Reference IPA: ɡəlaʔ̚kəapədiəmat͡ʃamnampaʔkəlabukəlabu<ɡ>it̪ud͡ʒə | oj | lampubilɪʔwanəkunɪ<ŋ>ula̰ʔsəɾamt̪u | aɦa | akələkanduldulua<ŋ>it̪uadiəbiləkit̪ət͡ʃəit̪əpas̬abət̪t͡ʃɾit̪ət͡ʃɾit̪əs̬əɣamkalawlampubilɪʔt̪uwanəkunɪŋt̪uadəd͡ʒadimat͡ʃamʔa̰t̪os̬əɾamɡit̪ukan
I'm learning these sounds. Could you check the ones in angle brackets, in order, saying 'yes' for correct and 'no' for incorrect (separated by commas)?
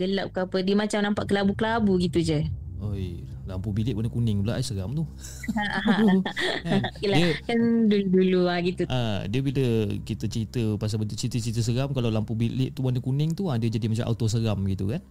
yes, yes, no